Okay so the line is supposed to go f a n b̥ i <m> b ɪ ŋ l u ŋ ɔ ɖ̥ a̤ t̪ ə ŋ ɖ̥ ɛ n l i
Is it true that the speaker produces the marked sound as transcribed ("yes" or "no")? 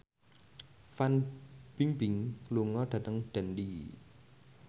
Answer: no